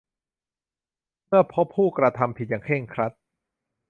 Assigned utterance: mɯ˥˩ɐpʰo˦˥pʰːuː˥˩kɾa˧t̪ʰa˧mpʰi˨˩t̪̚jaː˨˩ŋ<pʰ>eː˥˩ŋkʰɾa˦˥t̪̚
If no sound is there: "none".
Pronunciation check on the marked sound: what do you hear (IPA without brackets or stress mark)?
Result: kʰ